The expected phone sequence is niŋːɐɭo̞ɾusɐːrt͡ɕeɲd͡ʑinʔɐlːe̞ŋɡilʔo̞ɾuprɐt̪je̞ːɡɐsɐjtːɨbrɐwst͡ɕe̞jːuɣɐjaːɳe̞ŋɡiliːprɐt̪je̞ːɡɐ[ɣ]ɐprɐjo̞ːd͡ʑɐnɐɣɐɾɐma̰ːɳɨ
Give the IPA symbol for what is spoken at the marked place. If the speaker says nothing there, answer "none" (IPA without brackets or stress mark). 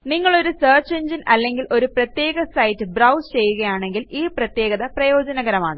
ð